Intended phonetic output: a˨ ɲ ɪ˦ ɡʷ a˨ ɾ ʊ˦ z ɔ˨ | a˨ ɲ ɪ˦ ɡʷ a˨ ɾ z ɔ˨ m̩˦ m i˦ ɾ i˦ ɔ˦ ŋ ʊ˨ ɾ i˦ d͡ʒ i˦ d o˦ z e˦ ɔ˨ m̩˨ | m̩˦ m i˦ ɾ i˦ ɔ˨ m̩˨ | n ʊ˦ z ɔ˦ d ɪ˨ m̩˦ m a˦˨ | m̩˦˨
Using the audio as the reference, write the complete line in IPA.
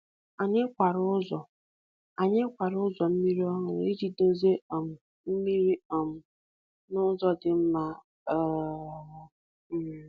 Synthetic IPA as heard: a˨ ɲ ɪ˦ kʷ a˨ ɾ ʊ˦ z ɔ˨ | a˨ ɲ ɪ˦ kʷ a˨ ɾ z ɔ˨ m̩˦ m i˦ ɾ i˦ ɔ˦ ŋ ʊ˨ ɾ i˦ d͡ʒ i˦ d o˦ z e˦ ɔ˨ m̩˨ | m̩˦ m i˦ ɾ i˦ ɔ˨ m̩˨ | n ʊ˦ z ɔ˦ d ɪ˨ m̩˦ m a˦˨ | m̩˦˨